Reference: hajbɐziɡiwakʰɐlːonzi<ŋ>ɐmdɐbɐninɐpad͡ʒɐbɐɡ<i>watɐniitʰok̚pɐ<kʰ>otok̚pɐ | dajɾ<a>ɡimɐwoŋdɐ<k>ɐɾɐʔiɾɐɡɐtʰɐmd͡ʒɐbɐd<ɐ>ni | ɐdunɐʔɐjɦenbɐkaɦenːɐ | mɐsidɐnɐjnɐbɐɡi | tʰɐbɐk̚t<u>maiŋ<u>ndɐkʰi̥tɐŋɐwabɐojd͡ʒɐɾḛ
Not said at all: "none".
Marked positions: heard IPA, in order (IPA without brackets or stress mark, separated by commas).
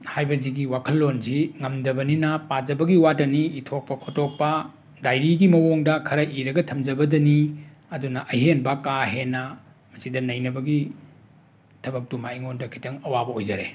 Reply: ŋ, i, kʰ, i, kʰ, ɐ, u, o